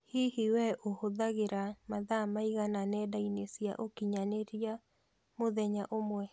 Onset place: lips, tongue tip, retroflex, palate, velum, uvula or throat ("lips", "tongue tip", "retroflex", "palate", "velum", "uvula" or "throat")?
throat